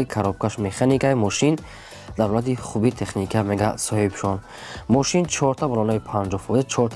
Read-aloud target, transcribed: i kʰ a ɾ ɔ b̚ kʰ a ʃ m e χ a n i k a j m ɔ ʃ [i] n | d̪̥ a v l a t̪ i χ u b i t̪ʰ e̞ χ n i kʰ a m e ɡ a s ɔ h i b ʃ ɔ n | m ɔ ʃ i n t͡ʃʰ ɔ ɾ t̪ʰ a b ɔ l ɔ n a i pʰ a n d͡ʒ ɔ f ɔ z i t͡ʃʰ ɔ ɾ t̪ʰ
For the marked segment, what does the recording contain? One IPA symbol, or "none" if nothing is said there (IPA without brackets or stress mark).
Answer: i